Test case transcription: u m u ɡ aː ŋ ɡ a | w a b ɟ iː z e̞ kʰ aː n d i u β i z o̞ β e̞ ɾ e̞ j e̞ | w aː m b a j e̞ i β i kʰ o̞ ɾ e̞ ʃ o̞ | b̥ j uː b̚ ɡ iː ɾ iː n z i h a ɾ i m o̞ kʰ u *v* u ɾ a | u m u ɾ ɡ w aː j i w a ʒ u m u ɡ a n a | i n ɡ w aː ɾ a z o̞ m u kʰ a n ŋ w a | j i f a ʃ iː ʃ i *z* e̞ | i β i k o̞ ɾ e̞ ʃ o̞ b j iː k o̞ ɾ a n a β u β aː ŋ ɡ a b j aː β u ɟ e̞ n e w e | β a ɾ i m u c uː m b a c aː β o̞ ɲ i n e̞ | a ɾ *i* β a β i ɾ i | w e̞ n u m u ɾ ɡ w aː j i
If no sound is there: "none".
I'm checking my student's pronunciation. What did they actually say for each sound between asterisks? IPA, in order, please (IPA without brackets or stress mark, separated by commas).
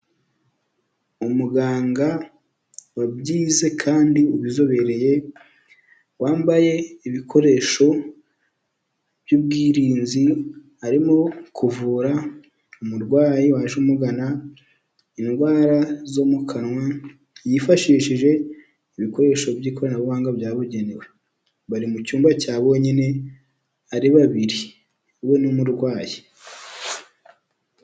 v, ʒ, i